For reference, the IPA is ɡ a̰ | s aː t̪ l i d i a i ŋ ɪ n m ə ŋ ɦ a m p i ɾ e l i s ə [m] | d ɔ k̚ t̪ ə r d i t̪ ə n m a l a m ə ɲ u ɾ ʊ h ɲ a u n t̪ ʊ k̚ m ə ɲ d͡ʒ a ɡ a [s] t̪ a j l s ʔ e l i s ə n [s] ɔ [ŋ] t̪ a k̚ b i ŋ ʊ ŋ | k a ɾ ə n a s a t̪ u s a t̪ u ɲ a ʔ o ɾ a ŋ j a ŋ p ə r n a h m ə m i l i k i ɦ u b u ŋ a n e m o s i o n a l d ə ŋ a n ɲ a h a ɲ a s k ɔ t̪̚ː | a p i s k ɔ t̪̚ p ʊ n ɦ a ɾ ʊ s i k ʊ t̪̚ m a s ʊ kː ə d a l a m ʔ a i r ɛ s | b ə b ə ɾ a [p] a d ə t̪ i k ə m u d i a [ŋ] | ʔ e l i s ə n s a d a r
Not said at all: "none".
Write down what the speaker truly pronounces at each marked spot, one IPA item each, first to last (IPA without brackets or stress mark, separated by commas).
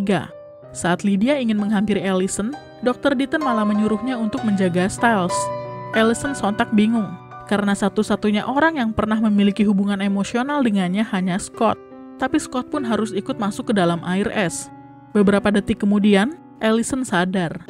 n, s, s, n, p, n